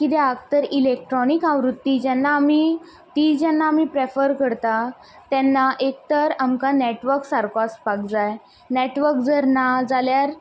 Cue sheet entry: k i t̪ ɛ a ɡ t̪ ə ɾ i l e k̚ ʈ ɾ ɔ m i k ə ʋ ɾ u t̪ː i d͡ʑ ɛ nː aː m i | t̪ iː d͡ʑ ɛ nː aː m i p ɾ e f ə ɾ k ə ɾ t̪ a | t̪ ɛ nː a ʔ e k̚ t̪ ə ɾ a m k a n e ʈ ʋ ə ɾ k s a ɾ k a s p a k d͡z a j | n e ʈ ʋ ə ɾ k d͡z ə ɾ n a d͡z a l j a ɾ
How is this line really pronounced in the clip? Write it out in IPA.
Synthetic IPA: k i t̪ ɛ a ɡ t̪ ə ɾ i l e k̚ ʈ ɾ ɔ n i k a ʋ ɾ u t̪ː i d͡ʑ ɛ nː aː m i | t̪ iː d͡ʑ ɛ nː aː m i p ɾ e f ə ɾ k ə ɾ t̪ a | t̪ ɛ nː a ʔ e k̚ t̪ ə ɾ a m k a n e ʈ ʋ ə ɾ k s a ɾ k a s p a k d͡z a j | n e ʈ ʋ ə ɾ k d͡z ə ɾ n a d͡z a l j a ɾ